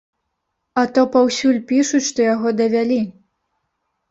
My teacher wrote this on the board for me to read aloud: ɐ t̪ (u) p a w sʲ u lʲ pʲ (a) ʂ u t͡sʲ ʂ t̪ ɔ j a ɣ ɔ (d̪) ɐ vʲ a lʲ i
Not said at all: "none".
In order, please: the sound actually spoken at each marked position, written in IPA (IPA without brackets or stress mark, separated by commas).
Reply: ɔ, i, d̪